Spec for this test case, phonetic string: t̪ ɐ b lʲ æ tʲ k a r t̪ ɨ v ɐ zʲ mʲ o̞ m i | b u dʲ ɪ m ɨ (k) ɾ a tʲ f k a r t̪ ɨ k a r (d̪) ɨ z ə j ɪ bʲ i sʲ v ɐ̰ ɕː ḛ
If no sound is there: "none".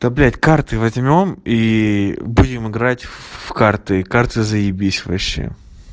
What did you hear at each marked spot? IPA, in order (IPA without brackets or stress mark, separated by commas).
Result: ɡ, t̪